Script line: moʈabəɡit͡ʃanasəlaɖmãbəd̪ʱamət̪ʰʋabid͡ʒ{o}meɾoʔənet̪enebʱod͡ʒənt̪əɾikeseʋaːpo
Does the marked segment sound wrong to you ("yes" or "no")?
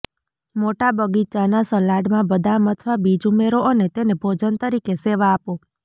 yes